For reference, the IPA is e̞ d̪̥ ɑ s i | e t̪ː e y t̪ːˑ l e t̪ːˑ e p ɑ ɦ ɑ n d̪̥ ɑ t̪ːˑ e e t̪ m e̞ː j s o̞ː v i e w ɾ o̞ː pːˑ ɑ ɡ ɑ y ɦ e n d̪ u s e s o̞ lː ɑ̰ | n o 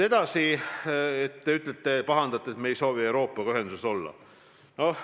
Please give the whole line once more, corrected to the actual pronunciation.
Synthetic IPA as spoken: e̞ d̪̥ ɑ s i | e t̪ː e y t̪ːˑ l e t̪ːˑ e p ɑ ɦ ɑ n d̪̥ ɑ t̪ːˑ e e t̪ m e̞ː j s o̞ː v i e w ɾ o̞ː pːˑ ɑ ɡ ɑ y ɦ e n d̪ u s e s o̞ lː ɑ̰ | n o